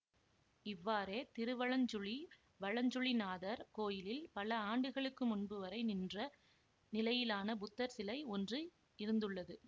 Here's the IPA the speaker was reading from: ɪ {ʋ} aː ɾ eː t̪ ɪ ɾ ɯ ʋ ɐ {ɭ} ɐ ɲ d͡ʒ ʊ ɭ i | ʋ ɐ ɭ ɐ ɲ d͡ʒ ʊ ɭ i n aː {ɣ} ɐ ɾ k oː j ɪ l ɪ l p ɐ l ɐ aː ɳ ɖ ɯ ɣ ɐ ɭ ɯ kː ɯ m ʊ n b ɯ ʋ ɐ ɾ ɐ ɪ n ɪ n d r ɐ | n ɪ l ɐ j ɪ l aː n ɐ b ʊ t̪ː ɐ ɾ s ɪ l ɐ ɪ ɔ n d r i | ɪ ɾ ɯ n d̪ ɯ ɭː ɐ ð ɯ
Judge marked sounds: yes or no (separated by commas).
no, yes, no